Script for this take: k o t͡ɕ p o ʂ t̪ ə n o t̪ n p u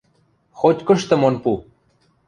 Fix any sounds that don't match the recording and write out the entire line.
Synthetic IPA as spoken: x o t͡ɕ k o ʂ t̪ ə m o n p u